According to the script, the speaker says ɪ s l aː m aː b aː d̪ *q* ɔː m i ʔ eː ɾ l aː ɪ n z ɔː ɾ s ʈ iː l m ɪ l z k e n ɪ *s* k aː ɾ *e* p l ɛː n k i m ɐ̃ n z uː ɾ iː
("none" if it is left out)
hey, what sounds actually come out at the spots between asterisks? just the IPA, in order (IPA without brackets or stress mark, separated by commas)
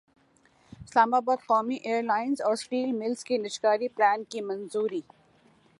q, ʃ, i